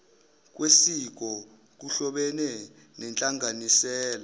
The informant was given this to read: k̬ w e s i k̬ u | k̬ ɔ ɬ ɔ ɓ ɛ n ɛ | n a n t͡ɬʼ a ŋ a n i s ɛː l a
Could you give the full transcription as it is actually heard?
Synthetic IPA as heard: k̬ w e s i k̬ ɔ | k̬ u ɬ ɔ ɓ ɛ n ɛ | n ɛ n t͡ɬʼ a ŋ a n i s ɛː l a